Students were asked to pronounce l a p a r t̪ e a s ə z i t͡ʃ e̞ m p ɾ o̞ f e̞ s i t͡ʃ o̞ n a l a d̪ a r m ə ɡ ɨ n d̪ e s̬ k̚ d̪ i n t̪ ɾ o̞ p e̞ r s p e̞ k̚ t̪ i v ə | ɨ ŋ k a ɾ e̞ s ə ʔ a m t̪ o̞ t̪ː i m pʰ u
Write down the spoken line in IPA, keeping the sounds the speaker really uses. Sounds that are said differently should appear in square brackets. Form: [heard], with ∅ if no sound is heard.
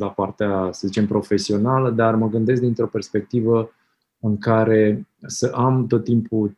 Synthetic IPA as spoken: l a p a r t̪ e a s ə z i t͡ʃ e̞ m p ɾ o̞ f e̞ s i [∅] o̞ n a l [ə] d̪ a r m ə ɡ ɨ n d̪ e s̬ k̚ d̪ i n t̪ ɾ o̞ p e̞ r s p e̞ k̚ t̪ i v ə | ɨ ŋ k a ɾ e̞ s ə ʔ a m t̪ o̞ t̪ː i m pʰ u